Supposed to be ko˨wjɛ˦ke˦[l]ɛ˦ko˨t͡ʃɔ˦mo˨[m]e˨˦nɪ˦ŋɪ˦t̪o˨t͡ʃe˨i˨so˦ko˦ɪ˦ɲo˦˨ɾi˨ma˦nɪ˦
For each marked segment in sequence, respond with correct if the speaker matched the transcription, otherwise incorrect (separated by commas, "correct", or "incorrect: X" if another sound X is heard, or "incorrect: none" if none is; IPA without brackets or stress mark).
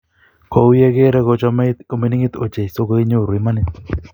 incorrect: ɾ, correct